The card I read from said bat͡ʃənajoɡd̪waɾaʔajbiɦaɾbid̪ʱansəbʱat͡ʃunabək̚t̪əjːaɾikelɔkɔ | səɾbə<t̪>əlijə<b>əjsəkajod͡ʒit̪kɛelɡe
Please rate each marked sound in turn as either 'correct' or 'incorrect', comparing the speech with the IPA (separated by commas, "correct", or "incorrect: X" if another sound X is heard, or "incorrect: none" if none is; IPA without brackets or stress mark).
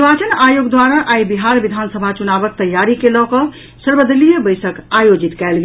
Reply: incorrect: d̪, correct